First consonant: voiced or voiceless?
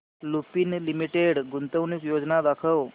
voiced